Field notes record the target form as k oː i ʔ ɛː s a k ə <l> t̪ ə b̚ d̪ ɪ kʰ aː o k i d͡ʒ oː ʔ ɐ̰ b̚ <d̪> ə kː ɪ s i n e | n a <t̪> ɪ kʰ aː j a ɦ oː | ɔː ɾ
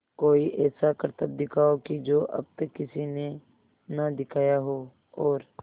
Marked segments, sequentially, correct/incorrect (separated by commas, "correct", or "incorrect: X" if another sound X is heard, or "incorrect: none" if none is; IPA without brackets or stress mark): incorrect: ɾ, incorrect: t̪, incorrect: d̪